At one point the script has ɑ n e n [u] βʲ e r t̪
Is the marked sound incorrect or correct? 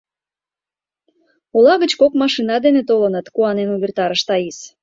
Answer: correct